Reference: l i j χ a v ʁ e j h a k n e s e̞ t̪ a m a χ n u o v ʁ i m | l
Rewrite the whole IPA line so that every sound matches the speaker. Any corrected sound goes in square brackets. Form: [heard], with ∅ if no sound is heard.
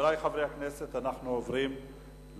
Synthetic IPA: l [a] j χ a v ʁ e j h a k n e s e̞ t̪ a [n] a χ n u o v ʁ i m | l